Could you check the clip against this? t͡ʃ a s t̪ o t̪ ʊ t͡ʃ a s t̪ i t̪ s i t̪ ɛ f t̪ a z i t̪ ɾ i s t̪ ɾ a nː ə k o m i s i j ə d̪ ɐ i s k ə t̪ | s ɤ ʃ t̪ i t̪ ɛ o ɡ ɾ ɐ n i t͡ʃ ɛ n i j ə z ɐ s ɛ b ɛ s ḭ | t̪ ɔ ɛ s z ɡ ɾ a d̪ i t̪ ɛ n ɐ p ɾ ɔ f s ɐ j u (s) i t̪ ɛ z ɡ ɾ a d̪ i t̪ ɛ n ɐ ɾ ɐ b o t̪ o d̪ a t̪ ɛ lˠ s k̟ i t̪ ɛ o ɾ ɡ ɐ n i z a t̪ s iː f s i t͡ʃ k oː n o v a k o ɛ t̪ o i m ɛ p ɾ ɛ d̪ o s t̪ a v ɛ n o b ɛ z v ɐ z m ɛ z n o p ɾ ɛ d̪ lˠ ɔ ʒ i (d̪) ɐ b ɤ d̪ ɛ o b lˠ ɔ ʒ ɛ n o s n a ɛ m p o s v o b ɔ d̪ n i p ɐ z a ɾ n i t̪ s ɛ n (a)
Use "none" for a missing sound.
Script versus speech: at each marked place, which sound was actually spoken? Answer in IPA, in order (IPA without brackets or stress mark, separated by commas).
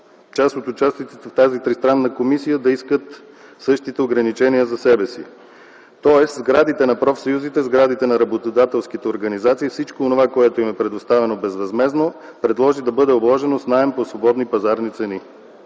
z, d̪, i